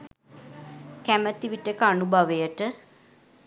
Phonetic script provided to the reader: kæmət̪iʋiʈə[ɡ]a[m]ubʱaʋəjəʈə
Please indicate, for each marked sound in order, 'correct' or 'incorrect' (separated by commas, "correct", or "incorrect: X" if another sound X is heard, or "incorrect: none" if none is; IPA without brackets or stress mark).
incorrect: k, incorrect: n